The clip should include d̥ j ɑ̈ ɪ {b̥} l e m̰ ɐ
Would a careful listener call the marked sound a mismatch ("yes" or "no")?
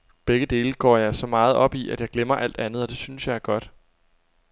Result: yes